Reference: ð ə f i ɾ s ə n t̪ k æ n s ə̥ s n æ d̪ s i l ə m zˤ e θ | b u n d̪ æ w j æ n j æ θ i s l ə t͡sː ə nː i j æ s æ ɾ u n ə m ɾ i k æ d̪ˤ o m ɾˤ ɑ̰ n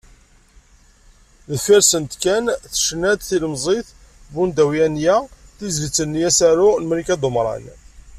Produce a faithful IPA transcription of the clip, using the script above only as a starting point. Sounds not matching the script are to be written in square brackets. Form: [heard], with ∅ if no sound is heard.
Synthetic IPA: ð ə f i ɾ s ə n t̪ k æ n [θ] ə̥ [ʃ] n æ d̪ [θ] i l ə m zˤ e θ | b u n d̪ æ w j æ n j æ θ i [z] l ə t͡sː ə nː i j æ s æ ɾ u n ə m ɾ i k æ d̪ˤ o m ɾˤ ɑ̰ n